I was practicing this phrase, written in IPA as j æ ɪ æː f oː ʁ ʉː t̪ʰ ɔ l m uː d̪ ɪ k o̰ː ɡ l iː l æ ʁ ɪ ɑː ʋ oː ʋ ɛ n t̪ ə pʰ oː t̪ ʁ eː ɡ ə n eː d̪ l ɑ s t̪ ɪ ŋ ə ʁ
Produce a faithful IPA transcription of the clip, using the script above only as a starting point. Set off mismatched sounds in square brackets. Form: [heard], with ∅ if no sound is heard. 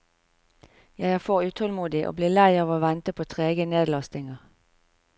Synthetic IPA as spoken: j æ ɪ æː f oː ʁ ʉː t̪ʰ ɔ l m uː d̪ ɪ [ʔ] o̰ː [b] l iː l æ [∅] ɪ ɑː ʋ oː ʋ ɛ n t̪ ə pʰ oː [t̪ʰ] ʁ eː ɡ ə n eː d̪ l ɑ s t̪ ɪ ŋ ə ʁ